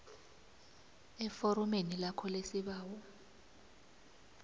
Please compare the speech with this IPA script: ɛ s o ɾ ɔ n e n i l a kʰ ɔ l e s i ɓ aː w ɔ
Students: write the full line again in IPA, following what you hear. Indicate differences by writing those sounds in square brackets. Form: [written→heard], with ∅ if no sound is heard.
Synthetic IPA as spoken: ɛ [s→f] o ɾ ɔ [n→m] e n i l a kʰ ɔ l e s i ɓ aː w ɔ